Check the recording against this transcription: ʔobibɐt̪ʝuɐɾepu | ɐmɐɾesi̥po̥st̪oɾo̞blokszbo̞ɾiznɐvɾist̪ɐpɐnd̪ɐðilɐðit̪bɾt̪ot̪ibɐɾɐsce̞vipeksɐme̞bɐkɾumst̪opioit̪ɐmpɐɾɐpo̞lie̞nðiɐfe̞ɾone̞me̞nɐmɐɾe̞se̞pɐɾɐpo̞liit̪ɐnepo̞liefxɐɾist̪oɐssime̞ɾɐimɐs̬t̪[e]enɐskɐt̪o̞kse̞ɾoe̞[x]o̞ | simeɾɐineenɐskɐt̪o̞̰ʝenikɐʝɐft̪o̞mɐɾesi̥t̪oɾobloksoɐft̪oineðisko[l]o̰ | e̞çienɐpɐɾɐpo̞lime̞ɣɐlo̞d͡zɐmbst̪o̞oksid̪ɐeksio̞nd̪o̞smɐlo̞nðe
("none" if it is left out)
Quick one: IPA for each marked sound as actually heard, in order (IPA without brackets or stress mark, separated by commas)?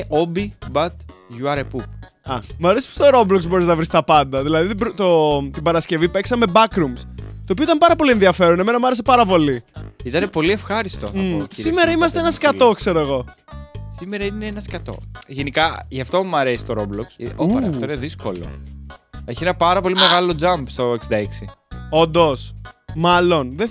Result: e, ɣ, l